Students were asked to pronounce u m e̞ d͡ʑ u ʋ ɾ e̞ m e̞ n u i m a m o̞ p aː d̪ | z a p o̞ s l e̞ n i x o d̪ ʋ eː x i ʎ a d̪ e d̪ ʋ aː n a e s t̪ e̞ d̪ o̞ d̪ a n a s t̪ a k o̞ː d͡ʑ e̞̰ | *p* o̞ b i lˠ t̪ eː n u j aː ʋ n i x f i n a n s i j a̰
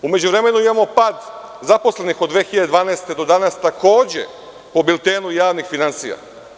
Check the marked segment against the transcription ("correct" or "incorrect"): correct